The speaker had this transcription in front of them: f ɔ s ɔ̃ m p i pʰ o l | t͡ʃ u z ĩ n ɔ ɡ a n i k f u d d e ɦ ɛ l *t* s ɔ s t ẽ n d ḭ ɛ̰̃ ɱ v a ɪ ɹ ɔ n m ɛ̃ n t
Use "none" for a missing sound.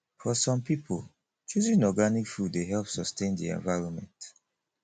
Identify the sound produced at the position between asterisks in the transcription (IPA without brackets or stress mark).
p